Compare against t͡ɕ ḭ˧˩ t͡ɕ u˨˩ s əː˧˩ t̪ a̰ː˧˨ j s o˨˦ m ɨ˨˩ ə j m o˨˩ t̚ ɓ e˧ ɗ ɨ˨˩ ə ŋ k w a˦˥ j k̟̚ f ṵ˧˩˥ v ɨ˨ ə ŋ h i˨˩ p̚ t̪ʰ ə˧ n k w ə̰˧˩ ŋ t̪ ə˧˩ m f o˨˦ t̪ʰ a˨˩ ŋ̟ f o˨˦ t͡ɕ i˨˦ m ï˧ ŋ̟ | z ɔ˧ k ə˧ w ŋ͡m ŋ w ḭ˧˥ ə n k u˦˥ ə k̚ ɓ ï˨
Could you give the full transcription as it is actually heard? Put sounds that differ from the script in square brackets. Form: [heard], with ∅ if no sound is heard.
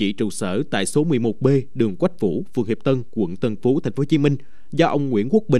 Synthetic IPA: t͡ɕ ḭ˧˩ t͡ɕ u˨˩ s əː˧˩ t̪ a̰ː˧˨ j s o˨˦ m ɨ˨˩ ə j m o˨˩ t̚ ɓ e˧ ɗ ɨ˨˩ ə ŋ k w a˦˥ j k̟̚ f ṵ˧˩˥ [f] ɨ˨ ə ŋ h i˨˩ p̚ [t̪] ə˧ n k w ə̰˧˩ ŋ t̪ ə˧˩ [n] f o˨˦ t̪ʰ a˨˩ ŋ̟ f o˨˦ t͡ɕ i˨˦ m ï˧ ŋ̟ | z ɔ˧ [ʔ] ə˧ w ŋ͡m ŋ w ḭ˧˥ ə n k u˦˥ ə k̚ ɓ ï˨